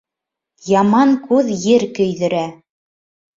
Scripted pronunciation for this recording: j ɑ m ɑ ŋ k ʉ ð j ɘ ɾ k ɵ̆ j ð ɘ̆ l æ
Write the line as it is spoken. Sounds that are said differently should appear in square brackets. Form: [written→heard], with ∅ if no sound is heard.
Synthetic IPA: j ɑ m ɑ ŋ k ʉ ð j ɘ ɾ k ɵ̆ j ð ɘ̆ [l→ɾ] æ